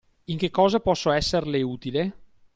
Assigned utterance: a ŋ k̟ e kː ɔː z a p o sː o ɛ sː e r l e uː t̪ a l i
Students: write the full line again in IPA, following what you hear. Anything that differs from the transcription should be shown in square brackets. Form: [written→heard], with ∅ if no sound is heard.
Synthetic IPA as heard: [a→i] ŋ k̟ e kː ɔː z a p [o→ɔ] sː o ɛ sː e r l e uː t̪ [a→i] l [i→e]